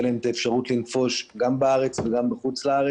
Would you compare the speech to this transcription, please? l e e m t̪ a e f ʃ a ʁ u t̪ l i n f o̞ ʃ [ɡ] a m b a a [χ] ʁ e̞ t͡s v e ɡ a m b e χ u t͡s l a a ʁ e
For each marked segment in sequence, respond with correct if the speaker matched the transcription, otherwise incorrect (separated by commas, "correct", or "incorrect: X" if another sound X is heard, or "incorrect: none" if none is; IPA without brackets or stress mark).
correct, incorrect: none